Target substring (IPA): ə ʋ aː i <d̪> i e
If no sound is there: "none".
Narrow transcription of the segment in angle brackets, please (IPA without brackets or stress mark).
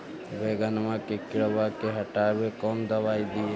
d̪